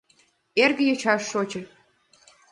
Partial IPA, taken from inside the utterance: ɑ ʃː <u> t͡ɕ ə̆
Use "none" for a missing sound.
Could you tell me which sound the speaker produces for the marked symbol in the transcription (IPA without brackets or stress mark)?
o